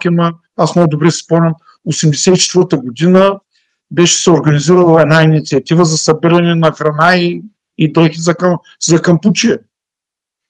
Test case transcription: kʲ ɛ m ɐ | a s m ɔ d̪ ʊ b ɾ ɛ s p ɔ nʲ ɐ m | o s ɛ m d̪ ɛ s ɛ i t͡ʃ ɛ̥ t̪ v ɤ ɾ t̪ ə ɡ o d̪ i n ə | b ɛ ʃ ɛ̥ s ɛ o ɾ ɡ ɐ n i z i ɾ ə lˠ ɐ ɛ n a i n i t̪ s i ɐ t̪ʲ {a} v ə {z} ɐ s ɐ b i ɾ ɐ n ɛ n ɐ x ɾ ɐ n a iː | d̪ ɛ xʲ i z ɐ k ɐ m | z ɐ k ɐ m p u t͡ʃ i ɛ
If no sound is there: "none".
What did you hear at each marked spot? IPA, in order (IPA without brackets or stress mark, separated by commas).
i, z